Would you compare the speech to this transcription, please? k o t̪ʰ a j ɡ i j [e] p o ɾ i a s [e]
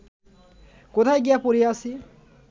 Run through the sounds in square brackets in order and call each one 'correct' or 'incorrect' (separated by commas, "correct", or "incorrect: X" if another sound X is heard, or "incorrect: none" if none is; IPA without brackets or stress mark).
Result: incorrect: a, incorrect: i